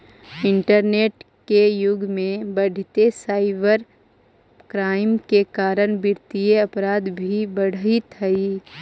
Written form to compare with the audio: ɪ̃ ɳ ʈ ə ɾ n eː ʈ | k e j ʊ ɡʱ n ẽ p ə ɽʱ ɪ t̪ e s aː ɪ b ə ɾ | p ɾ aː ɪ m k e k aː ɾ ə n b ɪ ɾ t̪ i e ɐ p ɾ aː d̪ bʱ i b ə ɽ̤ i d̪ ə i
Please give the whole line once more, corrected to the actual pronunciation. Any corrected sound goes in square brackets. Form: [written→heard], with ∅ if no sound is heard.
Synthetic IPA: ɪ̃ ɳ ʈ ə ɾ n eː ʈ | k e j ʊ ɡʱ [n→m] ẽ [p→b] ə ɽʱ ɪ t̪ e s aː ɪ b ə ɾ | [p→k] ɾ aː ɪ m k e k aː ɾ ə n b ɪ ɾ t̪ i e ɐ p ɾ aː d̪ bʱ i b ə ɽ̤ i [d̪→t̪] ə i